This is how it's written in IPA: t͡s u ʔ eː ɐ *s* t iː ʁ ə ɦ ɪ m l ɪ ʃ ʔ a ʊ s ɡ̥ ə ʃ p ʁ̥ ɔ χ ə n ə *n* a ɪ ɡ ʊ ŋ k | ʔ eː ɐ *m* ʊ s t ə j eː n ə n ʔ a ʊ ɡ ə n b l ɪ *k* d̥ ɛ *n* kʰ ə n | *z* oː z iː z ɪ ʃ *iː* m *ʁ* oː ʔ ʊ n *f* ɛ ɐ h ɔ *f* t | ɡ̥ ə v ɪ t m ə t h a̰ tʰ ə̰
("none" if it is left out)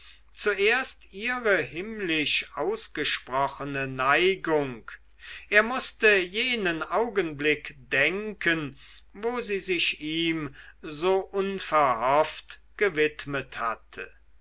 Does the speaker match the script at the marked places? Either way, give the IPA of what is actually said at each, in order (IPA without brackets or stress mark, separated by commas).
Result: s, n, m, k, ŋ, v, iː, z, f, f